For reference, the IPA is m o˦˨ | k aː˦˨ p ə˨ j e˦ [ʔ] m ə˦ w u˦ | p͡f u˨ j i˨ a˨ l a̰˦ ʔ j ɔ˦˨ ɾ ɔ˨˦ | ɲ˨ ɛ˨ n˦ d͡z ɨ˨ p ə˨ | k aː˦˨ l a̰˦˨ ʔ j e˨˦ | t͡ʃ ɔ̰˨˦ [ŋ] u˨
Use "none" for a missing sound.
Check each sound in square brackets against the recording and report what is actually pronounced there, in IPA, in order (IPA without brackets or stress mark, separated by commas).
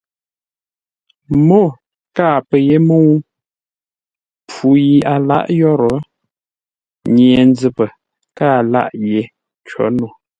none, n